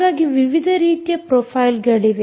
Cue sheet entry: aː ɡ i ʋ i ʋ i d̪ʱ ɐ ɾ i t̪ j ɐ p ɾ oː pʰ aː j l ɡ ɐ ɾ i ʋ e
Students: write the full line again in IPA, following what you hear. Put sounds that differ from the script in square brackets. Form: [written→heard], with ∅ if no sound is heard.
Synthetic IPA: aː ɡ i ʋ i ʋ i d̪ʱ ɐ ɾ [i→iː] t̪ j ɐ p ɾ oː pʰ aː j l ɡ ɐ [ɾ→ɭ] i ʋ e

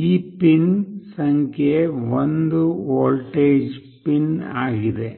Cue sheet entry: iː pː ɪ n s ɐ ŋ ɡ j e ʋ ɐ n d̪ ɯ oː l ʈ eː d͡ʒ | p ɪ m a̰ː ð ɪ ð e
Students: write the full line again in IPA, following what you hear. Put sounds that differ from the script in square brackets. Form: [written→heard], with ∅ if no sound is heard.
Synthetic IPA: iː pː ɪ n s ɐ ŋ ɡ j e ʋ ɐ n d̪ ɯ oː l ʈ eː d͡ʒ | p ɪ [m→n] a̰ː [ð→ɣ] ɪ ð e

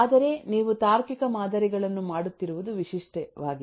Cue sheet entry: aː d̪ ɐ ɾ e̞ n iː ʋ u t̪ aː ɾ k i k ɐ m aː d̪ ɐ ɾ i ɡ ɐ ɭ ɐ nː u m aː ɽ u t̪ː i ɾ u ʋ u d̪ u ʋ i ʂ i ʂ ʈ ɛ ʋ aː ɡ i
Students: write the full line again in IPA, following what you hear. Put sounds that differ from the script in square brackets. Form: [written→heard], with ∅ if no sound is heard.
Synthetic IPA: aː d̪ ɐ ɾ e̞ n iː ʋ u t̪ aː ɾ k i k ɐ m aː d̪ ɐ ɾ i ɡ ɐ ɭ ɐ nː u m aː ɽ u t̪ː i ɾ u ʋ u d̪ u ʋ i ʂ i ʂ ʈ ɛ ʋ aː ɡ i

